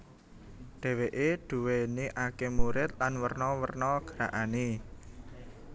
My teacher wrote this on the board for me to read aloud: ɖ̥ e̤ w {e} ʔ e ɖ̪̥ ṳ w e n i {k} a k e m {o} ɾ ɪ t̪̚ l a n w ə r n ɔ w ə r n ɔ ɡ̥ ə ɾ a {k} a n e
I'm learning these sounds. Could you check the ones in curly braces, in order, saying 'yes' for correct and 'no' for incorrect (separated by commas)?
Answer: yes, no, no, no